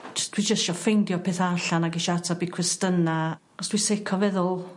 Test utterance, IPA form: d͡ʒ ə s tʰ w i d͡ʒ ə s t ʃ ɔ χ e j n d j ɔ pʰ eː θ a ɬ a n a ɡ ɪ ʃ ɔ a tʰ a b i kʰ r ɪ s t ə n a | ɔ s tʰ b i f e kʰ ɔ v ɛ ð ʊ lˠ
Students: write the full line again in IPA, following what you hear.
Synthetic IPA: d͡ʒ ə s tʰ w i d͡ʒ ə s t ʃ ɔ f e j n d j ɔ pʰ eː θ a ɬ a n a ɡ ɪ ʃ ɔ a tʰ a b i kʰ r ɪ s t ə n a | ɔ s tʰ w i s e kʰ ɔ v ɛ ð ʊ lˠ